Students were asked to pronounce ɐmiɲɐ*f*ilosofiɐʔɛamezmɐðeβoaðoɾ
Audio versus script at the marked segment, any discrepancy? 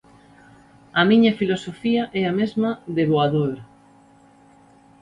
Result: no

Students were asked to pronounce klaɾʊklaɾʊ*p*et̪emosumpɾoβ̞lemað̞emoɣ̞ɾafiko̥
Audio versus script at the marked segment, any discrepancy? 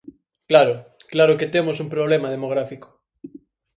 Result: yes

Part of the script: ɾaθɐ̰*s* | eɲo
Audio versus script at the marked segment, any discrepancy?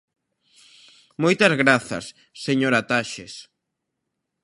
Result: yes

